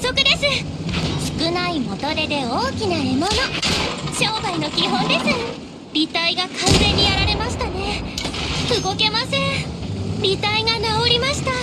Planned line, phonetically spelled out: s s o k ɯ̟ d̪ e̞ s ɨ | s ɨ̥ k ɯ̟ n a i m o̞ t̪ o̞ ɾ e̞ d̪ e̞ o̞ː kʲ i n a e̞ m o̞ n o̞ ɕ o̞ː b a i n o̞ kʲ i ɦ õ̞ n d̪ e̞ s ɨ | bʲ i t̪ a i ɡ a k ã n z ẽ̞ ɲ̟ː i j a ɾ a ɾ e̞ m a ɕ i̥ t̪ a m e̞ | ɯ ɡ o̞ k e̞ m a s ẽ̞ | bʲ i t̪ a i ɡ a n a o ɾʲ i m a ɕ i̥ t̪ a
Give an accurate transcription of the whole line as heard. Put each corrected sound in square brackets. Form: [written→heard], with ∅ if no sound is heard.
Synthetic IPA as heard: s s o k ɯ̟ d̪ e̞ s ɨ | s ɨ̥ k ɯ̟ n a i m o̞ t̪ o̞ ɾ e̞ d̪ e̞ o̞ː kʲ i n a e̞ m o̞ n o̞ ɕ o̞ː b a i n o̞ kʲ i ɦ õ̞ n d̪ e̞ s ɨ | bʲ i t̪ a i ɡ a k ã n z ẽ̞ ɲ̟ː i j a ɾ a ɾ e̞ m a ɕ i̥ t̪ a [m→n] e̞ | ɯ ɡ o̞ k e̞ m a s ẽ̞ | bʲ i t̪ a i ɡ a n a o ɾʲ i m a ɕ i̥ t̪ a

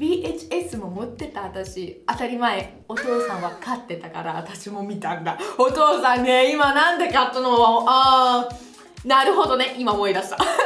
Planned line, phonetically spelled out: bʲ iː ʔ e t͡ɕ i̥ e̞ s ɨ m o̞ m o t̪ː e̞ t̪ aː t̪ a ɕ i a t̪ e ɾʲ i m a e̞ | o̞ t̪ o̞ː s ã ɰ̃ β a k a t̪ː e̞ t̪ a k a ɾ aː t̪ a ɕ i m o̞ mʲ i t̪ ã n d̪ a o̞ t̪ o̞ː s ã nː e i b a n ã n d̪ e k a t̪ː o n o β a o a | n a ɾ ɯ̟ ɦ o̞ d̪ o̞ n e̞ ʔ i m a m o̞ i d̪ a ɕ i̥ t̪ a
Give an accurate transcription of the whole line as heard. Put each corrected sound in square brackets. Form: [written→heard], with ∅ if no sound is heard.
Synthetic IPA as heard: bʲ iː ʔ e t͡ɕ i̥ e̞ s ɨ m o̞ m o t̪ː e̞ t̪ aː t̪ a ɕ i a t̪ [e→a] ɾʲ i m a e̞ | o̞ t̪ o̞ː s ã ɰ̃ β a k a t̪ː e̞ t̪ a k a ɾ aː t̪ a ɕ i m o̞ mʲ i t̪ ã n d̪ a o̞ t̪ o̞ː s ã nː e i [b→m] a n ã n d̪ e k a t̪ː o n o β a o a | n a ɾ ɯ̟ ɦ o̞ d̪ o̞ n e̞ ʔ i m a m o̞ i d̪ a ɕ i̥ t̪ a

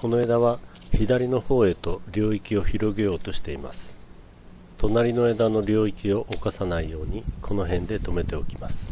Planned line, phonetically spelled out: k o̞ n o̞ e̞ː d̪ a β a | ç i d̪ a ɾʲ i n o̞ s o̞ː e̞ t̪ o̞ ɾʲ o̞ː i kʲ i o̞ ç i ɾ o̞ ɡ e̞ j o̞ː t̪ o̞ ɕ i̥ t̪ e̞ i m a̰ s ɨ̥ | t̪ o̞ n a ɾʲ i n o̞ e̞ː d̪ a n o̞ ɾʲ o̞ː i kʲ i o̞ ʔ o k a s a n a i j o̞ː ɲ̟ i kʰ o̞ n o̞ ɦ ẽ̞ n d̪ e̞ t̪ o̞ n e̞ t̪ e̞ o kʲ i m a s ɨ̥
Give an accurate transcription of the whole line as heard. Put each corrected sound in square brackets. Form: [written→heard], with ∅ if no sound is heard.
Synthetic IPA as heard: k o̞ n o̞ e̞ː d̪ a β a | ç i d̪ a ɾʲ i n o̞ [s→h] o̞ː e̞ t̪ o̞ ɾʲ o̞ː i kʲ i o̞ ç i ɾ o̞ ɡ e̞ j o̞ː t̪ o̞ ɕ i̥ t̪ e̞ i m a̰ s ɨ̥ | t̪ o̞ n a ɾʲ i n o̞ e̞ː d̪ a n o̞ ɾʲ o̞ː i kʲ i o̞ ʔ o k a s a n a i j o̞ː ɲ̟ i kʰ o̞ n o̞ ɦ ẽ̞ n d̪ e̞ t̪ o̞ [n→m] e̞ t̪ e̞ o kʲ i m a s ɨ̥

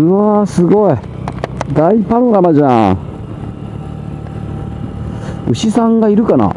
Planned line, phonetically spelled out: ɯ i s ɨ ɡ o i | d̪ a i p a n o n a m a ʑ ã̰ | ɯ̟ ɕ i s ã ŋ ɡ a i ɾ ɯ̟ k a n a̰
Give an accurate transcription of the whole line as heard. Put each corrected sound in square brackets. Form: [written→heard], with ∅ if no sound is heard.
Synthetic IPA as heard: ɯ [i→a] s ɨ ɡ o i | d̪ a i p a n o n a m a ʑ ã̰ | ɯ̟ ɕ i s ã ŋ ɡ a i ɾ ɯ̟ k a n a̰

